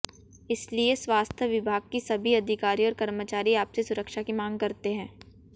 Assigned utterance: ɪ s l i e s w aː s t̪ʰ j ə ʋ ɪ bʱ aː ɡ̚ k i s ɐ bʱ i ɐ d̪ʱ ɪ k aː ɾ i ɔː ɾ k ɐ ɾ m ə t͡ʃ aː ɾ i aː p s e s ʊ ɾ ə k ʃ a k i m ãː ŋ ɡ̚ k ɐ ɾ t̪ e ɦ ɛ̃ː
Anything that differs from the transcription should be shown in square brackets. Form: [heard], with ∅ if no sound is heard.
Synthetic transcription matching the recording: ɪ s l i e s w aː s t̪ʰ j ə ʋ ɪ bʱ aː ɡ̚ k i s ɐ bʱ i ɐ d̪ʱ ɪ k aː ɾ i ɔː ɾ k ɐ ɾ m ə t͡ʃ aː ɾ i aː p s e s ʊ ɾ ə k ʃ a k i m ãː ŋ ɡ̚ k ɐ ɾ t̪ e ɦ ɛ̃ː